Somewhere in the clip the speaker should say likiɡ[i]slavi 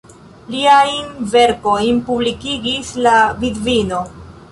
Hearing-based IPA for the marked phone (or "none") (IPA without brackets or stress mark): i